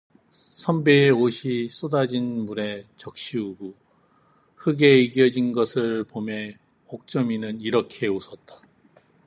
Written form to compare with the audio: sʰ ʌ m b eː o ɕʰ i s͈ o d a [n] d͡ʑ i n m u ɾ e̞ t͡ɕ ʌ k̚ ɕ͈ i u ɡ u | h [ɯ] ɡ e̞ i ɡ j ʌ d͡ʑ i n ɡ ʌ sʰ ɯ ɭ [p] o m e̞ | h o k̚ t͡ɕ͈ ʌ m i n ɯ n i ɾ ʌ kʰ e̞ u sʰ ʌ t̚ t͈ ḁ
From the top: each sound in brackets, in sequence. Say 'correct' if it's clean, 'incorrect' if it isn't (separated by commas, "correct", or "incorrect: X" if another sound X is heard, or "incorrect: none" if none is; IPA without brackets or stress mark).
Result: incorrect: none, correct, correct